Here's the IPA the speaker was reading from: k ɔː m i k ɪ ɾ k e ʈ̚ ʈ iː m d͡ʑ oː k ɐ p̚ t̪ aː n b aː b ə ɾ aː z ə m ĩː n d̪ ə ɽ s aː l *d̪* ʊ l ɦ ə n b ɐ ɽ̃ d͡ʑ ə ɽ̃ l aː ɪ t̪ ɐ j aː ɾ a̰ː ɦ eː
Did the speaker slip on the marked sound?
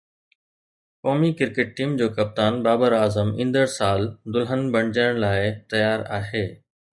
no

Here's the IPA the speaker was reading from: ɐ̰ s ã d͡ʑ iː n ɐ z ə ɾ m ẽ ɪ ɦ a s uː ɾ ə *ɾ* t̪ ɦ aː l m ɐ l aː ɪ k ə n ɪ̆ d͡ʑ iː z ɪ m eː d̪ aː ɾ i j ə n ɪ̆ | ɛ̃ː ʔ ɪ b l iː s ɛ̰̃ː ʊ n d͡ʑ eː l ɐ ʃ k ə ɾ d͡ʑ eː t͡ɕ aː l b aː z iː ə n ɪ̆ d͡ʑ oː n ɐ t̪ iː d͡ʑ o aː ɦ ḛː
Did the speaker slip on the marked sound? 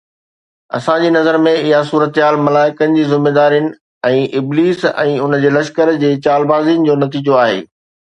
yes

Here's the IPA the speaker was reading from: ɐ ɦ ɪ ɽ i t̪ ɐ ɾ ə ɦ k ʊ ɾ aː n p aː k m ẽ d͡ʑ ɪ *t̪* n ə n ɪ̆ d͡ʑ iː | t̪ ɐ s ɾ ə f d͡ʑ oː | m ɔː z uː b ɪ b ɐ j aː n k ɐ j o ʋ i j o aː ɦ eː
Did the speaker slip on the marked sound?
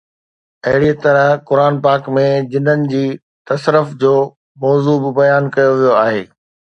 yes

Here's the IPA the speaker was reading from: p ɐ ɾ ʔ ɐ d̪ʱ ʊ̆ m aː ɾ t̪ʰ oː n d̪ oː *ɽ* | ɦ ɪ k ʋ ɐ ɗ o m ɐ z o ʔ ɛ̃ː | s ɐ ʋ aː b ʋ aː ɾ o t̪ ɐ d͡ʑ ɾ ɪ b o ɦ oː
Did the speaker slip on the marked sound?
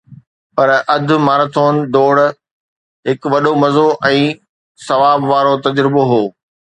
no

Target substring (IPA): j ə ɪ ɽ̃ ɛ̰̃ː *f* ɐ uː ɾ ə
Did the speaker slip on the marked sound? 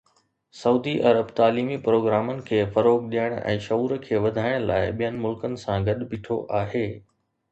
yes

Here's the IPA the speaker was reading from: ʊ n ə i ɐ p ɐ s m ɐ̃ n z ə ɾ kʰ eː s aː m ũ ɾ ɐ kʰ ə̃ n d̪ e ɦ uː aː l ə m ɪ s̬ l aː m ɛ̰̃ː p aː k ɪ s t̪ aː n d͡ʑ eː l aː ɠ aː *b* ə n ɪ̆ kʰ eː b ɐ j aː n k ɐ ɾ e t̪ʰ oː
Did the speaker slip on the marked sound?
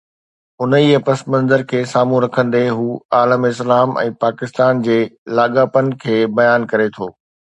yes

